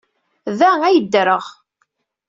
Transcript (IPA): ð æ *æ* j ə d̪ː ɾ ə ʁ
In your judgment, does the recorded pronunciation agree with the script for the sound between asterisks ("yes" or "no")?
yes